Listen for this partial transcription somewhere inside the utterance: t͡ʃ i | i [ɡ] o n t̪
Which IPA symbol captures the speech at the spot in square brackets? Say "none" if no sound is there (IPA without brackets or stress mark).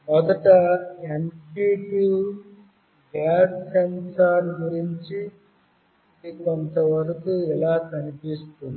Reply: k